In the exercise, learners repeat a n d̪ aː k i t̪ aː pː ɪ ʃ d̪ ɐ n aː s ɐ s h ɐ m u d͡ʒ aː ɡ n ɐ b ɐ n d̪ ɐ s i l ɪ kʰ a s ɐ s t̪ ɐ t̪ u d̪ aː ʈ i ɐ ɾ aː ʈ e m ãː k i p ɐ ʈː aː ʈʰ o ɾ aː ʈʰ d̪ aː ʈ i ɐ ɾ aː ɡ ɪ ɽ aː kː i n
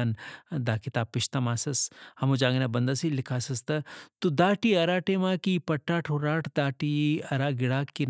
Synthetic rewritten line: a n d̪ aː k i t̪ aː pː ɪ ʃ t̪ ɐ m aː s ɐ s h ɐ m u d͡ʒ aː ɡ n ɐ b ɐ n d̪ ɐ s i l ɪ kʰ a s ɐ s t̪ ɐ t̪ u d̪ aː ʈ i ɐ ɾ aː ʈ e m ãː k i p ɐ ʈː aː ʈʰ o ɾ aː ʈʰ d̪ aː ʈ i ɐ ɾ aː ɡ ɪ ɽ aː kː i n